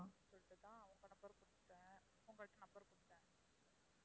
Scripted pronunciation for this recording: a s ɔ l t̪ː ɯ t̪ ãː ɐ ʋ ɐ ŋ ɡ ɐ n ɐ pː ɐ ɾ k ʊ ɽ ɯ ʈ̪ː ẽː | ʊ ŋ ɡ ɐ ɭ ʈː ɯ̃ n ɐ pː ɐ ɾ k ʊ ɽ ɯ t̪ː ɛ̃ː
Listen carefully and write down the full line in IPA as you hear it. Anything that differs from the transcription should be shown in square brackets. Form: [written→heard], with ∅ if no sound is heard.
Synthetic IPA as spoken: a s ɔ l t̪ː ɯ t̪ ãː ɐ ʋ ɐ ŋ ɡ ɐ n ɐ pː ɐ ɾ k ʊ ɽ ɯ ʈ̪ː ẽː | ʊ ŋ ɡ ɐ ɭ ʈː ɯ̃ n ɐ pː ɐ ɾ k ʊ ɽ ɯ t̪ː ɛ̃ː